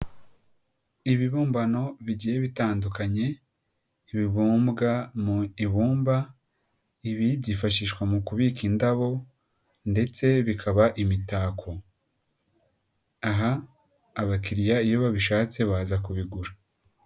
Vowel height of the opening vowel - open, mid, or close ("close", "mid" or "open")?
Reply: close